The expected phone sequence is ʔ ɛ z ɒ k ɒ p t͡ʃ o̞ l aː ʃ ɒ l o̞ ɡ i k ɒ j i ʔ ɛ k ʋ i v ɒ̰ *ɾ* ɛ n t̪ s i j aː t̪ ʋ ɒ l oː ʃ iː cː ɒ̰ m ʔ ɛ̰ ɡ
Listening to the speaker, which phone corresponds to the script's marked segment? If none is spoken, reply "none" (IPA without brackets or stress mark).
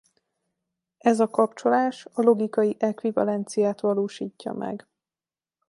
l